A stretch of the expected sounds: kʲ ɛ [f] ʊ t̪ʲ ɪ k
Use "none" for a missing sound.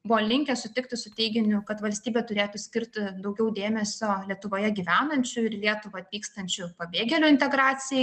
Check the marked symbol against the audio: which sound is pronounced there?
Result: s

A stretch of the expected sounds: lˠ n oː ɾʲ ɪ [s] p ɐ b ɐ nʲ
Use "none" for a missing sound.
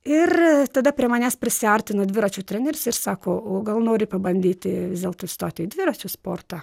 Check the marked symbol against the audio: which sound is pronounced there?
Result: none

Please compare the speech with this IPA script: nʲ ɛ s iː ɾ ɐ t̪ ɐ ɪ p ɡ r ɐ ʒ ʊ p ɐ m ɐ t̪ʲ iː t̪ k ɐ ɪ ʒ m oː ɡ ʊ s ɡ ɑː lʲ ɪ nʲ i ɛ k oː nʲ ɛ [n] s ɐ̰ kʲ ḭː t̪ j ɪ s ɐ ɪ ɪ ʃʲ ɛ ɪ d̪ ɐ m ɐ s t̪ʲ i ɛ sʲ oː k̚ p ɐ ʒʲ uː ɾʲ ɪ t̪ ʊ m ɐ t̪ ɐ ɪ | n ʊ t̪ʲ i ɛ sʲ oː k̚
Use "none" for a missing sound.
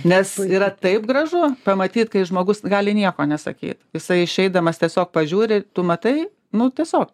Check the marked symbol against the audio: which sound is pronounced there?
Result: none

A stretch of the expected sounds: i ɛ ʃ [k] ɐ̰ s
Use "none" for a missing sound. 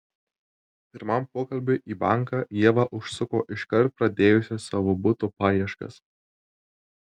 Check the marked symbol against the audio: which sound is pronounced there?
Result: k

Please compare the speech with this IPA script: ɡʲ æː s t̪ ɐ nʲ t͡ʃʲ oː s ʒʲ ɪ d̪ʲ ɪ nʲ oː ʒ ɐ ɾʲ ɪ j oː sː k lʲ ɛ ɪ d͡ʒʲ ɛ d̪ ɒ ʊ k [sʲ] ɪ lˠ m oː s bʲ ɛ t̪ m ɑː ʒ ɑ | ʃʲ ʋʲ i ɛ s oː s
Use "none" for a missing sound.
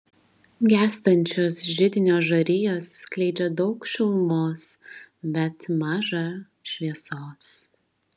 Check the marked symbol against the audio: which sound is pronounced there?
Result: ʃʲ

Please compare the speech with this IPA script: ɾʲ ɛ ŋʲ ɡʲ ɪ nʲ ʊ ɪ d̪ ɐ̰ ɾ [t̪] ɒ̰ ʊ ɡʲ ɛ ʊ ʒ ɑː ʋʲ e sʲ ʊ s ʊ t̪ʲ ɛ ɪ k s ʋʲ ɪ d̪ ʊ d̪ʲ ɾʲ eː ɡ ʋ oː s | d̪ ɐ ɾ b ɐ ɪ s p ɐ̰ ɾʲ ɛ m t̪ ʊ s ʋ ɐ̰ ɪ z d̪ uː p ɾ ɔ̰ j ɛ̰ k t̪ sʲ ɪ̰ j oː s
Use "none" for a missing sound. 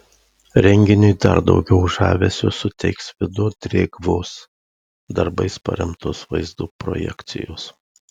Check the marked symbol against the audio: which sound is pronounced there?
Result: d̪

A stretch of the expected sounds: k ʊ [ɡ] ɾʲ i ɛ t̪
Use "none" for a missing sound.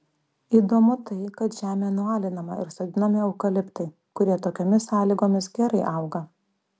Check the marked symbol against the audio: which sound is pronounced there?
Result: none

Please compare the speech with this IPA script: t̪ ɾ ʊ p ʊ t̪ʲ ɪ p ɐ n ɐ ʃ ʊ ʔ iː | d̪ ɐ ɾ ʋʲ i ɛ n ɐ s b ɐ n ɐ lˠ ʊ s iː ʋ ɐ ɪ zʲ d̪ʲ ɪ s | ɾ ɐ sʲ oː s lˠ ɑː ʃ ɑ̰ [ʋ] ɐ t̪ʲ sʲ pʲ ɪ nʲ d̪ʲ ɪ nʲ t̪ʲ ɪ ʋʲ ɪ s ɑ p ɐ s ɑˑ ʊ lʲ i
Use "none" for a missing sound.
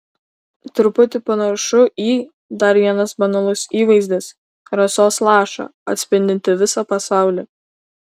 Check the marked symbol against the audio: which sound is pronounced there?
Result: none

